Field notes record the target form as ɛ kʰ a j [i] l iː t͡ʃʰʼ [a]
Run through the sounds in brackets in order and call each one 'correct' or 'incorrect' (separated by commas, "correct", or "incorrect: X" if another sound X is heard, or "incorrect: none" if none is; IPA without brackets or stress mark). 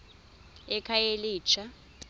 incorrect: e, correct